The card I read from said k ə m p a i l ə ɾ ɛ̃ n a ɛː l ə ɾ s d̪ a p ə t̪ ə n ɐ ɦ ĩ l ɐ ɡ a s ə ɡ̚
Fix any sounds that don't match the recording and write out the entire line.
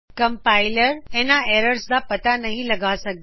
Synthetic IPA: k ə m p a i l ə ɾ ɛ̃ n a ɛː ɾ ə ɾ s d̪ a p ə t̪ a n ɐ ɦ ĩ l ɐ ɡ a s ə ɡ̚